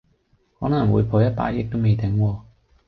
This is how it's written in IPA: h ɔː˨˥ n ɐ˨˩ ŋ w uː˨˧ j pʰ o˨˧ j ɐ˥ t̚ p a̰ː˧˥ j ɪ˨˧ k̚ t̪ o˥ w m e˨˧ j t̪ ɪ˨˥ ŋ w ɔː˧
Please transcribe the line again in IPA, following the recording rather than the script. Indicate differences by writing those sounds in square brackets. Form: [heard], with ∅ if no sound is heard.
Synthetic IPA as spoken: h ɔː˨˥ n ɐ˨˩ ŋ w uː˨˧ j pʰ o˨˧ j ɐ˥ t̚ p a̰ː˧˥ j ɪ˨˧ k̚ t̪ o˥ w m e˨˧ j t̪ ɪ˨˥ ŋ w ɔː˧